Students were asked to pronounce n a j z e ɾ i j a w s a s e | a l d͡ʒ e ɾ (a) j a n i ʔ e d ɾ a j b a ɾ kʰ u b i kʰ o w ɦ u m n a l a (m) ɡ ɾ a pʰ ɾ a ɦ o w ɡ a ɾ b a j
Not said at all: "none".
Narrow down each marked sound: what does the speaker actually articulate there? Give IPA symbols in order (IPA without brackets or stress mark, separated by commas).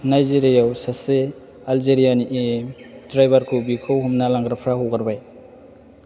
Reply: i, ŋ